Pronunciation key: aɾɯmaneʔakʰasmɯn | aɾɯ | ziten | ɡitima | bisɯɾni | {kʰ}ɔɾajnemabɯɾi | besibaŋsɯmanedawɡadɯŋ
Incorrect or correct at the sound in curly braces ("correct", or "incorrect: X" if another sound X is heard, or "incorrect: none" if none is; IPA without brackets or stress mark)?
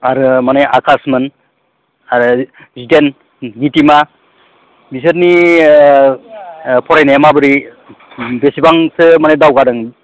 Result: incorrect: pʰ